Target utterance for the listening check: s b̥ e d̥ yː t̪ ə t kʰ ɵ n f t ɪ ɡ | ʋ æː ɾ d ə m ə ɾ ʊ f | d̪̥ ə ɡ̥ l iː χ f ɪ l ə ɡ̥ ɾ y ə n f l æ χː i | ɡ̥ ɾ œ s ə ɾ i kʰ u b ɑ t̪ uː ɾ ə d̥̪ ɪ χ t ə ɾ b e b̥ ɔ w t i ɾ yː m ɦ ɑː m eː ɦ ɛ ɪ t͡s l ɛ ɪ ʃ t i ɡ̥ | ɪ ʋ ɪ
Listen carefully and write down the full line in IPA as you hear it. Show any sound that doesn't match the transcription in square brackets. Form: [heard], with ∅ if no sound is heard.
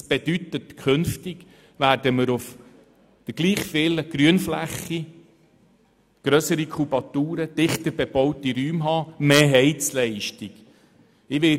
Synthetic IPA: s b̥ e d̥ [y] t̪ ə t kʰ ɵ n f t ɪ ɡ | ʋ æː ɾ d ə m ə ɾ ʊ f | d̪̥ ə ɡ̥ l iː χ f ɪ l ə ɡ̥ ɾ y ə n f l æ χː i | ɡ̥ ɾ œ s ə ɾ i kʰ u b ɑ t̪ uː ɾ ə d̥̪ ɪ χ t ə ɾ b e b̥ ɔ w t i ɾ yː m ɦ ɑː m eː ɦ ɛ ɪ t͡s l ɛ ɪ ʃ t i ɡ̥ | ɪ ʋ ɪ